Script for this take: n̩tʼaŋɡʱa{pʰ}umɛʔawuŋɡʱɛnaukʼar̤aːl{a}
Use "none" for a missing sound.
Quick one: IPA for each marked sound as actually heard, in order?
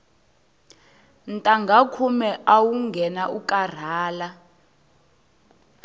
kʰ, a

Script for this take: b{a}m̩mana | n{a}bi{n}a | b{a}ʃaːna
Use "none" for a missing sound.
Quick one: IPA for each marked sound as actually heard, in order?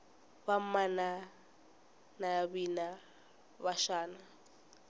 a, a, n, a

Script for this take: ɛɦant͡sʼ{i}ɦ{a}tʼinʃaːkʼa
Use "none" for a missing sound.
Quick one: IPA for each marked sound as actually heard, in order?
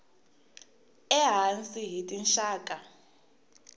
i, i

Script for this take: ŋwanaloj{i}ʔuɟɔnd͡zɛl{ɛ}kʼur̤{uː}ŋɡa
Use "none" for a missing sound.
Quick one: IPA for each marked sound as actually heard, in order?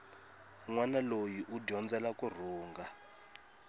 i, a, uː

